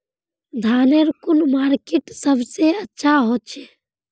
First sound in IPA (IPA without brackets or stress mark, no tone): d̪ʱ